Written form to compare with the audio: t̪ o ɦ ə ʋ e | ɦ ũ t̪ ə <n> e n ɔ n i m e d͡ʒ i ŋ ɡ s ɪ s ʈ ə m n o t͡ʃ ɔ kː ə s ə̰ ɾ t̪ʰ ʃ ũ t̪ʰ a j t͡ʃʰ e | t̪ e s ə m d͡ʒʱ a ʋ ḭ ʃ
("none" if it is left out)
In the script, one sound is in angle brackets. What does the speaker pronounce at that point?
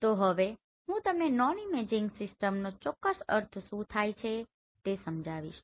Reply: m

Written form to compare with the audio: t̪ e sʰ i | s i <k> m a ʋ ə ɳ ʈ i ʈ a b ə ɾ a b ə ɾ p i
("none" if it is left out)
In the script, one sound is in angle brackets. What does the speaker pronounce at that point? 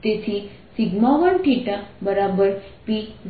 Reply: ɡ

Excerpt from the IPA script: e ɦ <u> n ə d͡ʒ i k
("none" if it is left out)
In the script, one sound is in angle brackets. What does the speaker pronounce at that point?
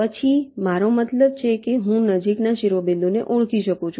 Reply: ũ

